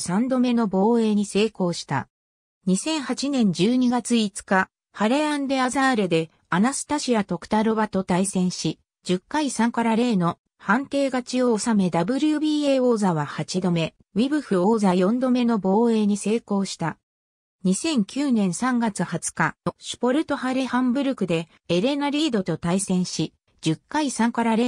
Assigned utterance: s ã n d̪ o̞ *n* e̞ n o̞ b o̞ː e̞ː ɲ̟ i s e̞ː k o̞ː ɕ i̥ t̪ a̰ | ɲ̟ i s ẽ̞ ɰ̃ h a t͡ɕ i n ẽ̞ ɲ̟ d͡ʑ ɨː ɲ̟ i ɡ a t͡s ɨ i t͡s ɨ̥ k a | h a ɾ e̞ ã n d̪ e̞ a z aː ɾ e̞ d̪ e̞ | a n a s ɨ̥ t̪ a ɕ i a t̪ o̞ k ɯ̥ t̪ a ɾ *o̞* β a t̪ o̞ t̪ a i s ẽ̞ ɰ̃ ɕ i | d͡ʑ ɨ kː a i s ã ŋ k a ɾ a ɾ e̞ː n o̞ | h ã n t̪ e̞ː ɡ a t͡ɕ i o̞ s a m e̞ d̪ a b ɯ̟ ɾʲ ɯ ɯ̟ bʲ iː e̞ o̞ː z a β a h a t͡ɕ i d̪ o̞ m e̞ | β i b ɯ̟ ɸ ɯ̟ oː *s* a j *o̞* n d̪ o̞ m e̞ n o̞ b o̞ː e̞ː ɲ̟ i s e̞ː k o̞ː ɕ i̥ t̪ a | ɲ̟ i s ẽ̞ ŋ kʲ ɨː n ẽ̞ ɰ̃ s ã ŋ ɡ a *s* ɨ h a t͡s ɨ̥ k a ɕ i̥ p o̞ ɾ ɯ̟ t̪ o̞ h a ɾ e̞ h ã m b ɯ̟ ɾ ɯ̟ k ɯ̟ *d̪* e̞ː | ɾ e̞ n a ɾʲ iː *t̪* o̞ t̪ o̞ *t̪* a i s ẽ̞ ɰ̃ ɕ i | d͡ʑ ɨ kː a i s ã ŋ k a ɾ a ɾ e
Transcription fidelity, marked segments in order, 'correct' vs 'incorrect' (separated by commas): incorrect, correct, incorrect, incorrect, incorrect, correct, incorrect, correct